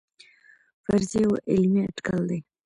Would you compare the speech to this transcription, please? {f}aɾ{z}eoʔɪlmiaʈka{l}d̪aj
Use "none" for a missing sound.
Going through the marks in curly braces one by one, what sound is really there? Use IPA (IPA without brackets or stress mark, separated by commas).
f, z, l